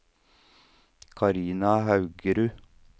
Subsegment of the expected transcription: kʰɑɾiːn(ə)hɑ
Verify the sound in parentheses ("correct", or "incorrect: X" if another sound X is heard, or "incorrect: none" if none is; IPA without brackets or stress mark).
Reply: incorrect: ɑ